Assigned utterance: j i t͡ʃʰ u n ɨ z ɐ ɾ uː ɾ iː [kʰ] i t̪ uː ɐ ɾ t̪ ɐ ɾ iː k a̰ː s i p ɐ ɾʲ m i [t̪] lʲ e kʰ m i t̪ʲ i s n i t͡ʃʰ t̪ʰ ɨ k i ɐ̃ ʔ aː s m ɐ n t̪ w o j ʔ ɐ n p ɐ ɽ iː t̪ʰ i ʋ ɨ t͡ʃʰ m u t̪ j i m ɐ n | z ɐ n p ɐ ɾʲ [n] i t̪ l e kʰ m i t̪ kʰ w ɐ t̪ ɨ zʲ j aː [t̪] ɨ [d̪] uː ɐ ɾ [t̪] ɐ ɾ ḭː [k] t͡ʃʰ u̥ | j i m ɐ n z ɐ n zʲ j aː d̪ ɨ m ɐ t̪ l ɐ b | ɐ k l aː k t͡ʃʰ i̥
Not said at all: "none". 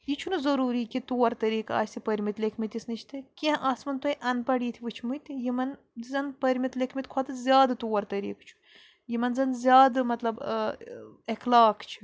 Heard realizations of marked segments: k, t̪, m, d̪, t̪, t̪, k

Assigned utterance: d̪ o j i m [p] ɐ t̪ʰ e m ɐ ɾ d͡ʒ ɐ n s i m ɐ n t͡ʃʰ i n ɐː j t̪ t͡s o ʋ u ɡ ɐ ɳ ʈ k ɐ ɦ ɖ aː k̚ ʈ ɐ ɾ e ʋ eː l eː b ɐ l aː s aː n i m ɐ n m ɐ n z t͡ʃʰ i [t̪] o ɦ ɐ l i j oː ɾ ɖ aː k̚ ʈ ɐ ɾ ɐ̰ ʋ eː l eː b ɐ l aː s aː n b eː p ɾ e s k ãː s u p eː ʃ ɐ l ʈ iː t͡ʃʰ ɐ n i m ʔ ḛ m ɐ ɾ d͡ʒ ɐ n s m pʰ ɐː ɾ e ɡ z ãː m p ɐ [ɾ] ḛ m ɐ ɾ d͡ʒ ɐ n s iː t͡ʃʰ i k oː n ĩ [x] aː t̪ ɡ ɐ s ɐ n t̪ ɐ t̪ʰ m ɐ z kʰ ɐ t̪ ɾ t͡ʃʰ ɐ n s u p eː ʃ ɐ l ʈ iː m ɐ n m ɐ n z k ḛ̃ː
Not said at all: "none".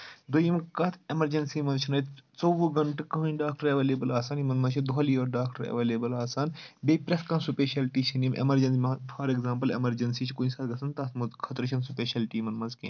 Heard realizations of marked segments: k, d̪, l, s

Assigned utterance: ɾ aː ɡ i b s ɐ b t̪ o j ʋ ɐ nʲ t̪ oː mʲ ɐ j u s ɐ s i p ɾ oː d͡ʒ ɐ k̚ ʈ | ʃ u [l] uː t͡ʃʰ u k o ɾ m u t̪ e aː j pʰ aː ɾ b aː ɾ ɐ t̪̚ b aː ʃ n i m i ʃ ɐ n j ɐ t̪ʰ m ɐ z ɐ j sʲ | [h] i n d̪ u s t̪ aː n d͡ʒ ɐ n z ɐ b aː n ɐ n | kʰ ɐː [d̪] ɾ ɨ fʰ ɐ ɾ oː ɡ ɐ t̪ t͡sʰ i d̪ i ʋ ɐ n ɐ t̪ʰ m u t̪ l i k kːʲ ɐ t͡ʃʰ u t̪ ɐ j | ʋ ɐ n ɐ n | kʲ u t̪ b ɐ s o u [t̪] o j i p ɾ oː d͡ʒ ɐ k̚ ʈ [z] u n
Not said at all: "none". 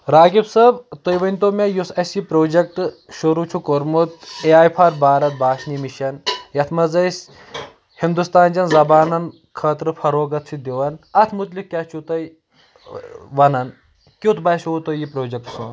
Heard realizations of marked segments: ɾ, h, t̪, t̪, s

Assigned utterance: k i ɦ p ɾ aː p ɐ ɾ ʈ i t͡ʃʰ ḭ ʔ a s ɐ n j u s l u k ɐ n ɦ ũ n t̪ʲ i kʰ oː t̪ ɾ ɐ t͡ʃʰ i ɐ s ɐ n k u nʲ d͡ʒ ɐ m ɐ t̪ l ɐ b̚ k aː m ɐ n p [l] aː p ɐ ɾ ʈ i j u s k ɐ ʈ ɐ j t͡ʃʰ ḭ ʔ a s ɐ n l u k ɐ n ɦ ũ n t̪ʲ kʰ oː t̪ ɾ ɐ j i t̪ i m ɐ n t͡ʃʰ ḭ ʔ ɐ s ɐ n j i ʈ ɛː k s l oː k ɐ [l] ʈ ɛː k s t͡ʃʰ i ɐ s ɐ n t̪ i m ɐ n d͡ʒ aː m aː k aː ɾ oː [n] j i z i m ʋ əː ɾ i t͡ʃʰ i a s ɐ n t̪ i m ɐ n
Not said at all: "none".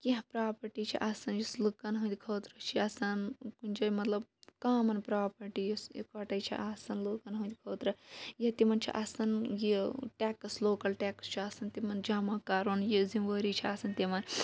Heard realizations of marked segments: ɾ, l, n

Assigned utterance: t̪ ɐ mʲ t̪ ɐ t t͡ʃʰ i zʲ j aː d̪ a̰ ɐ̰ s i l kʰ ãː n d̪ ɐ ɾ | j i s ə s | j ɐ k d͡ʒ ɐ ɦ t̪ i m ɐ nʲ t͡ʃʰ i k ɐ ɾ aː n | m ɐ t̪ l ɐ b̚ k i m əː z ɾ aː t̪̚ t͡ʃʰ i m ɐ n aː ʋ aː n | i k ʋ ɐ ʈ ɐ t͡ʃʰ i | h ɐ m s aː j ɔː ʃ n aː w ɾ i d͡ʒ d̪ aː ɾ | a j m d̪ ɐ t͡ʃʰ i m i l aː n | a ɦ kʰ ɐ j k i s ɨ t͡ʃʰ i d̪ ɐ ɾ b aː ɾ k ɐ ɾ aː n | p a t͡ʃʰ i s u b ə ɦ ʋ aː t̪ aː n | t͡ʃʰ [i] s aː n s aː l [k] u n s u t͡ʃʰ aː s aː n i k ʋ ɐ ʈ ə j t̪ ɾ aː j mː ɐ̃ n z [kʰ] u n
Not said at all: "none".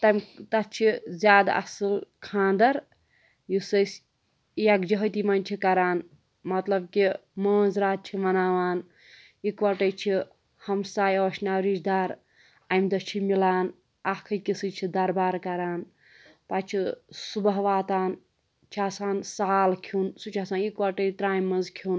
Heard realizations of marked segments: a, kʰ, kʰ

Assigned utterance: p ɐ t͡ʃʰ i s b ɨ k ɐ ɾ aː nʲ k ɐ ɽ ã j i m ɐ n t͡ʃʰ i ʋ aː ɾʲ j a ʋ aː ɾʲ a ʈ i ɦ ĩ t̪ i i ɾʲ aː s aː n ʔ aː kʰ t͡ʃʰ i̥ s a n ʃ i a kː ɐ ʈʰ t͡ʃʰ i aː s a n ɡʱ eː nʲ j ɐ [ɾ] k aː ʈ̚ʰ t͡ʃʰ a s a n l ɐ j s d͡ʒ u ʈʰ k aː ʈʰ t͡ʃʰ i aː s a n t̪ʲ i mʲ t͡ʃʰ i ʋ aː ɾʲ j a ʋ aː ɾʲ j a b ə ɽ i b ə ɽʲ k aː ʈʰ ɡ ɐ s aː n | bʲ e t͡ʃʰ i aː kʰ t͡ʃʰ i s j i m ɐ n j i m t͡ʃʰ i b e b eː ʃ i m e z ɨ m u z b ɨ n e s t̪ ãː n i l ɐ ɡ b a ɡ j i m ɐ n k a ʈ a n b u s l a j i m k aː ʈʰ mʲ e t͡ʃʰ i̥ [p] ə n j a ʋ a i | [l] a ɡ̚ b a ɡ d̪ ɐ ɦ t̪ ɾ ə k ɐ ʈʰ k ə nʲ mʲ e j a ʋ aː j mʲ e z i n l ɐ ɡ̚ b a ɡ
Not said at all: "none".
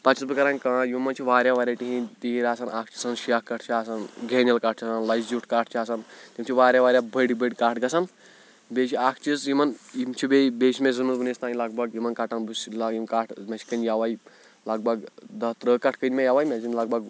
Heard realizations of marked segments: l, k, l

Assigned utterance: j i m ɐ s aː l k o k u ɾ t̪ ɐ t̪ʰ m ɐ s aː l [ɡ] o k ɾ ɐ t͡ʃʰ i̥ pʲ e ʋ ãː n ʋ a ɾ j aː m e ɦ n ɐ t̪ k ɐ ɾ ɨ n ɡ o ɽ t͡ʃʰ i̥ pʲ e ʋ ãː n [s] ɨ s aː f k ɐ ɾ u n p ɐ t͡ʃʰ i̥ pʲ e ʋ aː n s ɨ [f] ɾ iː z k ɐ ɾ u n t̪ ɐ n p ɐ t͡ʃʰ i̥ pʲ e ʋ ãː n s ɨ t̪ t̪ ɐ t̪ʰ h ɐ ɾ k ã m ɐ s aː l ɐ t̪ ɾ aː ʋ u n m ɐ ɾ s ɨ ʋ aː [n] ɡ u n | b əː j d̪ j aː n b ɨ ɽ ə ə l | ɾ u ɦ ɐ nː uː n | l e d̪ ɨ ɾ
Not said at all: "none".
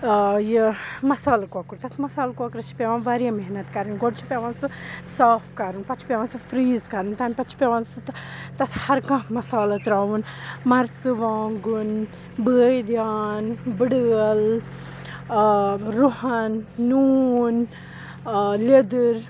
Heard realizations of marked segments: k, s, f, ŋ

